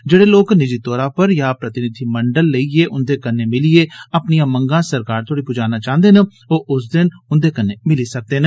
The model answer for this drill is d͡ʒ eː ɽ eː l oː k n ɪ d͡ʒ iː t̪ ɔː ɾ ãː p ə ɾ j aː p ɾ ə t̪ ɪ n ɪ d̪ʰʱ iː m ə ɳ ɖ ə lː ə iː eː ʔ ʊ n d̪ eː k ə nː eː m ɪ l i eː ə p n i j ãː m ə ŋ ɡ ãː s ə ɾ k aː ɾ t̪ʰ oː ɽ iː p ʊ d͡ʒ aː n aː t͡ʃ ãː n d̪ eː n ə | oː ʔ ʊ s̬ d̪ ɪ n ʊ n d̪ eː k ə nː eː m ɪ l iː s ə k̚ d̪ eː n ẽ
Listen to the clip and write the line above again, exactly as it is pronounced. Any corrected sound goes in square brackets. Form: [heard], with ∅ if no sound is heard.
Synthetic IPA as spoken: d͡ʒ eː ɽ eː l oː k n ɪ d͡ʒ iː t̪ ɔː ɾ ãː p ə ɾ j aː p ɾ ə t̪ ɪ n ɪ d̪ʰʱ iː m ə ɳ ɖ ə lː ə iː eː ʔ ʊ n d̪ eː k ə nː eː m ɪ l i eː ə p n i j ãː m ə ŋ ɡ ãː s ə ɾ k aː ɾ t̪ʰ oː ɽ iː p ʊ d͡ʒ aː n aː t͡ʃ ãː n d̪ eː n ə | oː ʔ ʊ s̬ d̪ ɪ n ʊ n d̪ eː k ə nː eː m ɪ l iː s ə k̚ d̪ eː n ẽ

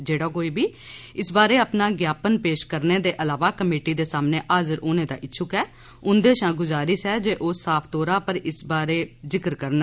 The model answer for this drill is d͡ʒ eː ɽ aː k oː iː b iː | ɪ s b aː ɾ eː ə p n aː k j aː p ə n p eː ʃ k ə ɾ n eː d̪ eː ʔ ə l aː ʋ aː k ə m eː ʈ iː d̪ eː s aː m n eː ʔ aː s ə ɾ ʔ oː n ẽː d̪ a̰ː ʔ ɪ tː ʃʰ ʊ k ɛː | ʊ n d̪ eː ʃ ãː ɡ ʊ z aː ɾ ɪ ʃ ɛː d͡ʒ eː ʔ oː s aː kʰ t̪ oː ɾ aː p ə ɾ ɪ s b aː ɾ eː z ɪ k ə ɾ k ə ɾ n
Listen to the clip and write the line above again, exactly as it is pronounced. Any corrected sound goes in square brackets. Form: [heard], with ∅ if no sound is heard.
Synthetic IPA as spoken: d͡ʒ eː ɽ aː k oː iː b iː | ɪ s b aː ɾ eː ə p n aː [ɡ] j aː p ə n p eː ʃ k ə ɾ n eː d̪ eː ʔ ə l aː ʋ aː k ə m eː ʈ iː d̪ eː s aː m n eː ʔ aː [z] ə ɾ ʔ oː n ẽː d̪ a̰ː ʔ ɪ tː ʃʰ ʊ k ɛː | ʊ n d̪ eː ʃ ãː ɡ ʊ z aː ɾ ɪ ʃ ɛː d͡ʒ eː ʔ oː s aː [pʰ] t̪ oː ɾ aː p ə ɾ ɪ s b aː ɾ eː z ɪ k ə ɾ k ə ɾ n

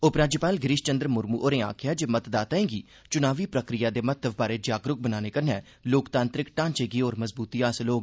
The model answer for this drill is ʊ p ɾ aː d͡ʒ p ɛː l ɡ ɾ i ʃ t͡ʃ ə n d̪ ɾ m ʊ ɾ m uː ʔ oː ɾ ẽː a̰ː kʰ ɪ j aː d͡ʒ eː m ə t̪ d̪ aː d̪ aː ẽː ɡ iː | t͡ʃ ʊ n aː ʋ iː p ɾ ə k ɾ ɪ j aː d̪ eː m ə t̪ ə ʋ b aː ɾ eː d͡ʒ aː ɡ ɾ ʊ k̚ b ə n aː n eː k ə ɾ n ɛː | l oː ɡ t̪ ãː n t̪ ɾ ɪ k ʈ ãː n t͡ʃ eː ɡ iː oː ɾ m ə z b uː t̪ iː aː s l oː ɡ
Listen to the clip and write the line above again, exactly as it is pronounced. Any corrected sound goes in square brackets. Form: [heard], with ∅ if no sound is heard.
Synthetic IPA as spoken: ʊ p ɾ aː d͡ʒ p [aː] l ɡ ɾ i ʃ t͡ʃ ə n d̪ ɾ m ʊ ɾ m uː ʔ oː ɾ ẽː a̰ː kʰ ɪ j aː d͡ʒ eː m ə t̪ d̪ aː [t̪] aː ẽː ɡ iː | t͡ʃ ʊ n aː ʋ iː p ɾ ə k ɾ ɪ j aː d̪ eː m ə t̪ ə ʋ b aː ɾ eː d͡ʒ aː ɡ ɾ ʊ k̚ b ə n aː n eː k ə ɾ n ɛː | l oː [k] t̪ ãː n t̪ ɾ ɪ k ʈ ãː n t͡ʃ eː ɡ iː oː ɾ m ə z b uː t̪ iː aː s l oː ɡ

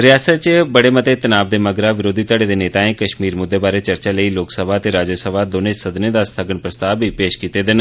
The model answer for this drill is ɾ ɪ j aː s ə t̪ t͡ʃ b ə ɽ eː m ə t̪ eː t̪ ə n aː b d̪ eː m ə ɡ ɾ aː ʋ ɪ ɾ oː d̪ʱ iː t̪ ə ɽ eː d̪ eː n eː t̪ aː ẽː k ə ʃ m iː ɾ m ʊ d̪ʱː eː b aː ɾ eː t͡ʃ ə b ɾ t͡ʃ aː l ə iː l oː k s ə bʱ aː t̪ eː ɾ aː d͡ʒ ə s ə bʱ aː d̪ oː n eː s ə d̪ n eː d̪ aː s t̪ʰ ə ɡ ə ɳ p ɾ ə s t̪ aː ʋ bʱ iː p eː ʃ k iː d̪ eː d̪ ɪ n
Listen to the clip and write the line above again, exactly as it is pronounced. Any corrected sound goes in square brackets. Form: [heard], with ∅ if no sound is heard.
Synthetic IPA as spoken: ɾ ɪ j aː s ə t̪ t͡ʃ b ə ɽ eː m ə t̪ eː t̪ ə n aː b d̪ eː m ə ɡ ɾ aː ʋ ɪ ɾ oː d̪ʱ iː t̪ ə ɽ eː d̪ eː n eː t̪ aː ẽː k ə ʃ m iː ɾ m ʊ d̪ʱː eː b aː ɾ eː t͡ʃ ə [∅] ɾ t͡ʃ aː l ə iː l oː k s ə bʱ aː t̪ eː ɾ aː d͡ʒ ə s ə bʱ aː d̪ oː n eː s ə d̪ n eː d̪ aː s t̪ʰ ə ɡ ə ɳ p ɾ ə s t̪ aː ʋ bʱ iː p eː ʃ k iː [t̪] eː d̪ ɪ n

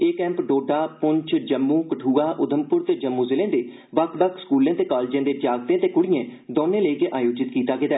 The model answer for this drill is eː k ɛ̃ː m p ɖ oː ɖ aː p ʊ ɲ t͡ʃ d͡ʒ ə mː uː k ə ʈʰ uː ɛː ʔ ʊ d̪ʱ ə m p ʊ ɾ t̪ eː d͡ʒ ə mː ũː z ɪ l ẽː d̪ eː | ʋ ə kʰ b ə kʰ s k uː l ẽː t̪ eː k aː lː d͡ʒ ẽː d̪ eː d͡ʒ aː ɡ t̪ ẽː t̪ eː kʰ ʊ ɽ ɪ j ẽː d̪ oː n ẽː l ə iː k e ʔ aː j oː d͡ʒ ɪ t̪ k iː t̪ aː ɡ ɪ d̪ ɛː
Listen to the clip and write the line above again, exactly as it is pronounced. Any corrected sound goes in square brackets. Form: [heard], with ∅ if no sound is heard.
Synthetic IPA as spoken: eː k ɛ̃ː m p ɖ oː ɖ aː p ʊ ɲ t͡ʃ d͡ʒ ə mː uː k ə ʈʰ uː [aː] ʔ ʊ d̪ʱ ə m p ʊ ɾ t̪ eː d͡ʒ ə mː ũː z ɪ l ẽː d̪ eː | ʋ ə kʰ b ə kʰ s k uː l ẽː t̪ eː k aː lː d͡ʒ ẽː d̪ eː d͡ʒ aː ɡ t̪ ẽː t̪ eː [k] ʊ ɽ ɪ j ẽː d̪ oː n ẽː l ə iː k e ʔ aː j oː d͡ʒ ɪ t̪ k iː t̪ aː ɡ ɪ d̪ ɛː

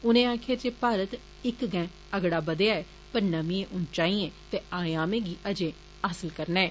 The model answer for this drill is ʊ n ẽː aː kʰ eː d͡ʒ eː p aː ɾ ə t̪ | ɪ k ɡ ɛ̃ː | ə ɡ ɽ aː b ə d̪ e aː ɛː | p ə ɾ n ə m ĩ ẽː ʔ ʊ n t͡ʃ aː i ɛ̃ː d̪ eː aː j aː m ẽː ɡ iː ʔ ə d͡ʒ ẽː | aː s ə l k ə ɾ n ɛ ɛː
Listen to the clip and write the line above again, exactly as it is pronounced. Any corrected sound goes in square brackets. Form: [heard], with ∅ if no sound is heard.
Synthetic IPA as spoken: ʊ n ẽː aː kʰ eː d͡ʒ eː p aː ɾ ə t̪ | ɪ k ɡ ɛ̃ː | ə ɡ ɽ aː b ə d̪ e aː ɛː | p ə ɾ n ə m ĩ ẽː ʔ ʊ n t͡ʃ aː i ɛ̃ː [t̪] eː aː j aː m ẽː ɡ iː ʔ ə d͡ʒ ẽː | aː s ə l k ə ɾ n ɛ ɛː

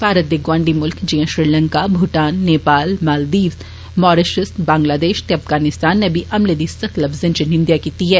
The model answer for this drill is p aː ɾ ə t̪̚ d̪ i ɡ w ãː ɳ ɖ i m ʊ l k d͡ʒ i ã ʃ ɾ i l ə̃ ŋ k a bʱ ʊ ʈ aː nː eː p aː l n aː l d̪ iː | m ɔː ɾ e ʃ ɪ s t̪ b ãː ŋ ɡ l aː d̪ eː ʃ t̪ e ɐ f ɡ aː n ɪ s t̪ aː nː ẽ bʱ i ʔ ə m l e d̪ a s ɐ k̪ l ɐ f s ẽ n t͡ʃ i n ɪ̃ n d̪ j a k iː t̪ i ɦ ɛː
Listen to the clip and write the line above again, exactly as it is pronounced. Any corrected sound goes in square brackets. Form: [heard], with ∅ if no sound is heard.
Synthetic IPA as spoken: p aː ɾ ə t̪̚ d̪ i ɡ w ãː ɳ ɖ i m ʊ l k d͡ʒ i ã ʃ ɾ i l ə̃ ŋ k a bʱ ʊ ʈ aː nː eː p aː l [m] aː l d̪ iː | m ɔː ɾ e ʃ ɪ s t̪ b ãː ŋ ɡ l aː d̪ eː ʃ t̪ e ɐ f ɡ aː n ɪ s t̪ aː nː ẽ bʱ i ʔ [ɐ] m l e d̪ [i] s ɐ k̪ l ɐ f [z] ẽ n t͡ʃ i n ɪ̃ n d̪ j a k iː t̪ i ɦ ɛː

